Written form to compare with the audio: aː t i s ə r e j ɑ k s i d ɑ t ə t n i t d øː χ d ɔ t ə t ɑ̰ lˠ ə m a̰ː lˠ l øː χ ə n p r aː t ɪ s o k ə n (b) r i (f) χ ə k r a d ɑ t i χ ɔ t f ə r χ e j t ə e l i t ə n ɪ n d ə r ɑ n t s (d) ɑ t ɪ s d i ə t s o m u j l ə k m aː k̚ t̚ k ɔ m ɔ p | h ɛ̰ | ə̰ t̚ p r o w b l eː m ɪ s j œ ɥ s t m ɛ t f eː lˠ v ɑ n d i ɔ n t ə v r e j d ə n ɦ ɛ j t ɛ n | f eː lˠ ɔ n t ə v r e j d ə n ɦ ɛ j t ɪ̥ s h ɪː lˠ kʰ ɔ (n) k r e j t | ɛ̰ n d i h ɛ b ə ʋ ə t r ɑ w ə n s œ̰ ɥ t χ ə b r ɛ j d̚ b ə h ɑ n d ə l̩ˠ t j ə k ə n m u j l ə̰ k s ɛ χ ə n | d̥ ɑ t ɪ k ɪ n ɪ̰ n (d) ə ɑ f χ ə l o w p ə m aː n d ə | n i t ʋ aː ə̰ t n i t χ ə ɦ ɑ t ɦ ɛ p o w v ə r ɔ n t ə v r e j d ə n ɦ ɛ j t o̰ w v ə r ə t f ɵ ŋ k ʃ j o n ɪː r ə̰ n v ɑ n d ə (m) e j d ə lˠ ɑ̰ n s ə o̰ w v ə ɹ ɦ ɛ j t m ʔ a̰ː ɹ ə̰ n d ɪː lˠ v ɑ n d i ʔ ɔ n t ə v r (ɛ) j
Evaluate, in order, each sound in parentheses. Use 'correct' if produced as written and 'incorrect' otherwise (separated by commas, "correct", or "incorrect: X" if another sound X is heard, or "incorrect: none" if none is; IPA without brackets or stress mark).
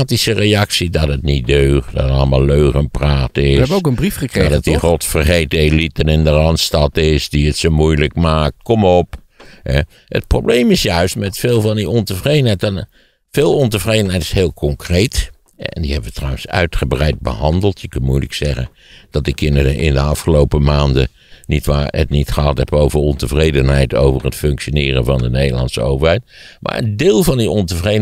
correct, correct, incorrect: t, incorrect: ŋ, correct, incorrect: n, incorrect: e